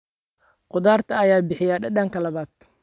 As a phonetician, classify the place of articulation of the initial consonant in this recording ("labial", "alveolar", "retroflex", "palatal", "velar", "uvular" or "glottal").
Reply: uvular